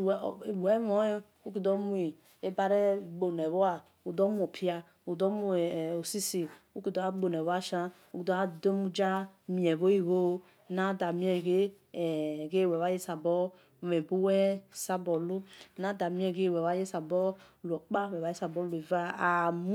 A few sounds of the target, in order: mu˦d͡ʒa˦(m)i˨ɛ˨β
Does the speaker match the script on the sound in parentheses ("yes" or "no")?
yes